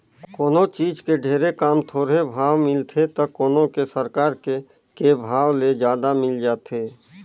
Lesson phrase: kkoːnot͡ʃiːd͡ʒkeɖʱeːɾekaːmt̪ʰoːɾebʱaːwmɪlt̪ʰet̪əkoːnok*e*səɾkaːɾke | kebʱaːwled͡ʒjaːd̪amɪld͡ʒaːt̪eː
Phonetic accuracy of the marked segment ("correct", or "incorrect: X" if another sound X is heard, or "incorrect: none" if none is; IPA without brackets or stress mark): correct